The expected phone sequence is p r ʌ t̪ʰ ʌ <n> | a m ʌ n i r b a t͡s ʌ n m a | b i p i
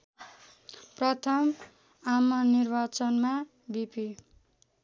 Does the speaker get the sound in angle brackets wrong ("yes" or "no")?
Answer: yes